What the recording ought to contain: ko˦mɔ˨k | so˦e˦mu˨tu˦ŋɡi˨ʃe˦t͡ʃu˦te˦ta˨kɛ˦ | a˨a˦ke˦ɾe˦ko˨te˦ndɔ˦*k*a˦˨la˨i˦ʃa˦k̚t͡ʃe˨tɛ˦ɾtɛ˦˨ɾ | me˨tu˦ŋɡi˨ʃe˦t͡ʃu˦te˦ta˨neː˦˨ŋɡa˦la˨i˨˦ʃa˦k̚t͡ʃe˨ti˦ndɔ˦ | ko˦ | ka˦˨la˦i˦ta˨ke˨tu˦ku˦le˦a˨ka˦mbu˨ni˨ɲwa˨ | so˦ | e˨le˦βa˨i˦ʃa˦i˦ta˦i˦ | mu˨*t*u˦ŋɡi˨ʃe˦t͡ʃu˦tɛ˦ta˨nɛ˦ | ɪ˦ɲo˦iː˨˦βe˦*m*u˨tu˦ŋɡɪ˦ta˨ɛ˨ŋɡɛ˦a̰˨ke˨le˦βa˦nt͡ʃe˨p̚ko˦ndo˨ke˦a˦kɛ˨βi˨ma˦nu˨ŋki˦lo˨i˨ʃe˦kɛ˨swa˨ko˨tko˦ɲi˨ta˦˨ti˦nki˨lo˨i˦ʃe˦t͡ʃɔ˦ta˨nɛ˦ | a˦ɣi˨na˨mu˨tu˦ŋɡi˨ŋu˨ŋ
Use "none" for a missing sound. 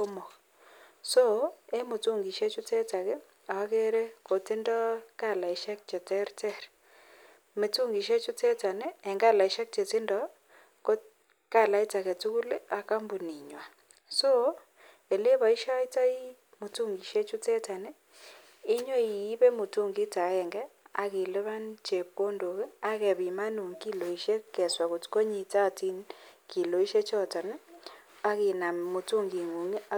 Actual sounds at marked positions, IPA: k, t, m

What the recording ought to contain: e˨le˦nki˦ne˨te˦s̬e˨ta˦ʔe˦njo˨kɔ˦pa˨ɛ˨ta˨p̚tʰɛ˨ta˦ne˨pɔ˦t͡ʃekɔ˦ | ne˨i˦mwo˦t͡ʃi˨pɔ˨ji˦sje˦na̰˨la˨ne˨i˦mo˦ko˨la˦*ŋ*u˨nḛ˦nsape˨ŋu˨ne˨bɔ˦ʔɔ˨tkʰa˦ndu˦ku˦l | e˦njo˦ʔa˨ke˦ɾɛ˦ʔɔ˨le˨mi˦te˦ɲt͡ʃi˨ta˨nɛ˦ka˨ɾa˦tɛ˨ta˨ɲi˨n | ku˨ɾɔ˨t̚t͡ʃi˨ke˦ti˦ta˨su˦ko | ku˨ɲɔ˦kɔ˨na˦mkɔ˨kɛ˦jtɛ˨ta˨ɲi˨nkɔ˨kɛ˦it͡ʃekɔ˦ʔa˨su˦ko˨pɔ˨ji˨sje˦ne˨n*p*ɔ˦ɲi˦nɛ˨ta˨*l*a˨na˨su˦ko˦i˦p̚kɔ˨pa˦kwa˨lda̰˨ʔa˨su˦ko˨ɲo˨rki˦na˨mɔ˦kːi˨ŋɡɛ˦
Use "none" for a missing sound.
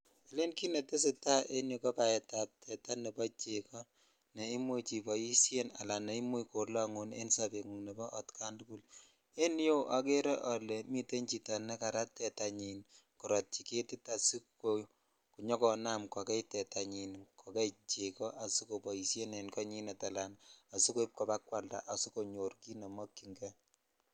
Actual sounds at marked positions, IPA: ŋ, k, l

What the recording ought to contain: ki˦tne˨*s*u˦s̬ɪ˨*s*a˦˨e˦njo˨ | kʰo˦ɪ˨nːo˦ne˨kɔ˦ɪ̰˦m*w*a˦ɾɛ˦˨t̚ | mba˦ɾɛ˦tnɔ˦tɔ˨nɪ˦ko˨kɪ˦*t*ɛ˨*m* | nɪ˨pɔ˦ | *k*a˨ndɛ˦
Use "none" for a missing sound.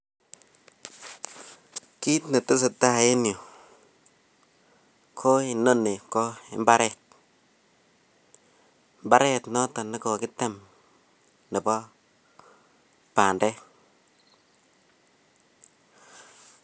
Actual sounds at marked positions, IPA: t, t, b, t, m, p

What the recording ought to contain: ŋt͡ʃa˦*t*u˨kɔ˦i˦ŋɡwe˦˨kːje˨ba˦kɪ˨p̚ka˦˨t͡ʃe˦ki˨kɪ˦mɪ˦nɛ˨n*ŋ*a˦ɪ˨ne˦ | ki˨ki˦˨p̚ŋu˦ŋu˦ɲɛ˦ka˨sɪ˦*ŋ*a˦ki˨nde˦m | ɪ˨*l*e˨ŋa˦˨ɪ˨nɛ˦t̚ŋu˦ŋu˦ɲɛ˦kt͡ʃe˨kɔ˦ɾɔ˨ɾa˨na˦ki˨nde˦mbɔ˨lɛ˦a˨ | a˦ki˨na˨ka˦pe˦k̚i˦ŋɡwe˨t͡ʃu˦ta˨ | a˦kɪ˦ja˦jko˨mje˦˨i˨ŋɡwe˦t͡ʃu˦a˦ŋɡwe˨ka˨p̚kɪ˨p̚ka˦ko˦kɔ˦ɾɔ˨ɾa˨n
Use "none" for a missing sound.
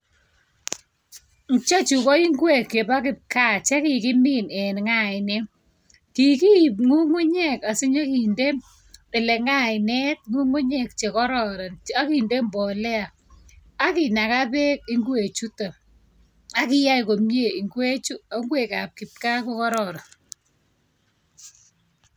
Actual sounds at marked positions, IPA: t͡ʃ, ŋ, ɲ, l

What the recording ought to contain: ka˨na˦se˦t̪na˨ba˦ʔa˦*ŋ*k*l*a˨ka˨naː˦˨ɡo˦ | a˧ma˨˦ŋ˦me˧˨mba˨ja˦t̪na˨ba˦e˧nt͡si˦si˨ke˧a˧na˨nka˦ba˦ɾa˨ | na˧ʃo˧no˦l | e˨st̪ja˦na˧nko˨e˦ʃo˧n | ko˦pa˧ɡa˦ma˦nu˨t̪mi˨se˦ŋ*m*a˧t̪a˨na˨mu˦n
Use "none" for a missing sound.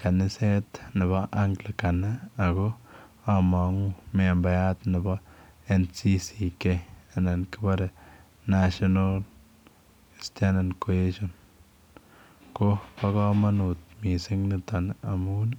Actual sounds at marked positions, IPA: ŋ, l, n

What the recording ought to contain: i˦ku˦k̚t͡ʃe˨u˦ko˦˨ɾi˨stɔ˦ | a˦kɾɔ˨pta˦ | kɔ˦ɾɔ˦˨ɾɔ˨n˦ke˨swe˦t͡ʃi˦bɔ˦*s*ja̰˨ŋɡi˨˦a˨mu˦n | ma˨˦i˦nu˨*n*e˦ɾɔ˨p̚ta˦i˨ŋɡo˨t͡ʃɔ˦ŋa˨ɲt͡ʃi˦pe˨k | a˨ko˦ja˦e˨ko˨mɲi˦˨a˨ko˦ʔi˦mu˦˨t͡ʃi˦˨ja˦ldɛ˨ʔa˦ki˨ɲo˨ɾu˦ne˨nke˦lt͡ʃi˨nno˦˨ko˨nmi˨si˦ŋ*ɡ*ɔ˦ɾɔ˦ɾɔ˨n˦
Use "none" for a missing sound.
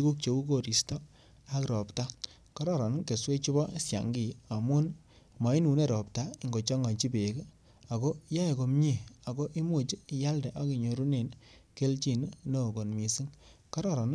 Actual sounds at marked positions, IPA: s, n, k

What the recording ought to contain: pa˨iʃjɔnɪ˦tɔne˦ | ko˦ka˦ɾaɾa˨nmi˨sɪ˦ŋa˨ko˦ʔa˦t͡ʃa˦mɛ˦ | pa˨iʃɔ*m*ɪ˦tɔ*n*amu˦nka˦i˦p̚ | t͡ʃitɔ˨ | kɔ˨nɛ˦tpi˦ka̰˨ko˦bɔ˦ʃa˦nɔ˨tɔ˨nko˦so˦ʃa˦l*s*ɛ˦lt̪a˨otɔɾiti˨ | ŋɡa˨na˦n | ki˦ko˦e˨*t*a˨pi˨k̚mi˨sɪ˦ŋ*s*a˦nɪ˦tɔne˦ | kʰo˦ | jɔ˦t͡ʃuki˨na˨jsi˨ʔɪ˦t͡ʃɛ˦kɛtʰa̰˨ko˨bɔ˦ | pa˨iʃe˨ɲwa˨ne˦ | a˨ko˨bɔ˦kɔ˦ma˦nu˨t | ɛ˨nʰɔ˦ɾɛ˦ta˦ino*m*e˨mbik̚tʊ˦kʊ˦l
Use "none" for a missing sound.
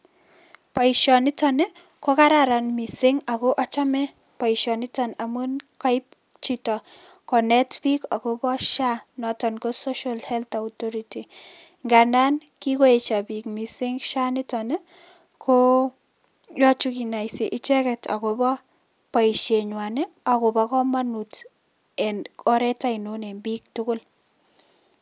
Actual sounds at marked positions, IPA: n, n, h, t͡ʃ, ʃ, n

